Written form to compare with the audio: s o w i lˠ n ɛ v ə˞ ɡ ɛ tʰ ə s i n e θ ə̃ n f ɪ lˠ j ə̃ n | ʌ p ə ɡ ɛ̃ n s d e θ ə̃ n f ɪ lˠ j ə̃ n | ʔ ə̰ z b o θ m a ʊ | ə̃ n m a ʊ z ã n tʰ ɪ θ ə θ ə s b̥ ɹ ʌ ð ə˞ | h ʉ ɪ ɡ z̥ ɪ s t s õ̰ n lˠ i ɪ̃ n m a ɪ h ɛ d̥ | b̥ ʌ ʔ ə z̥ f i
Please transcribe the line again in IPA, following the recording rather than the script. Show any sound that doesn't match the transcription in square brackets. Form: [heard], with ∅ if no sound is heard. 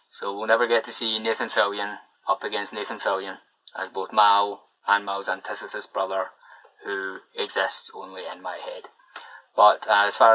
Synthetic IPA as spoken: s o w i lˠ n ɛ v ə˞ ɡ ɛ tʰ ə s i n e θ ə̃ n f ɪ lˠ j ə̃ n | ʌ p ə ɡ ɛ̃ n s [n] e θ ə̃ n f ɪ lˠ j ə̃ n | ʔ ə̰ z b o θ m a ʊ | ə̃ n m a ʊ z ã n tʰ ɪ θ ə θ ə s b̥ ɹ ʌ ð ə˞ | h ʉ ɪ ɡ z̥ ɪ s t s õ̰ n lˠ i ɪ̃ n m a ɪ h ɛ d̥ | b̥ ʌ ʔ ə z̥ f [a]